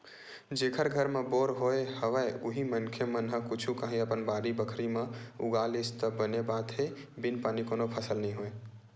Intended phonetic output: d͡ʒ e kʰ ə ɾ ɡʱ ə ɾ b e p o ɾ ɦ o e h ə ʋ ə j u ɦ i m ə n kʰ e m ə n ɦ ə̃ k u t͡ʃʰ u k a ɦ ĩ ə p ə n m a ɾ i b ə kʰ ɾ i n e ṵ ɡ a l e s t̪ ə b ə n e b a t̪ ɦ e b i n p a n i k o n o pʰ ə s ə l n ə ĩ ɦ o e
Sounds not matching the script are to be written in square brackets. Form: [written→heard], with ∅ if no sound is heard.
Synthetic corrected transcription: d͡ʒ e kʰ ə ɾ ɡʱ ə ɾ [b→m] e [p→b] o ɾ ɦ o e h ə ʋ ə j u ɦ i m ə n kʰ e m ə n ɦ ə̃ k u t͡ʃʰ u k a ɦ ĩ ə p ə n [m→b] a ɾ i b ə kʰ ɾ i [n→m] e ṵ ɡ a l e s t̪ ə b ə n e b a t̪ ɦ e b i n p a n i k o n o pʰ ə s ə l n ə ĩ ɦ o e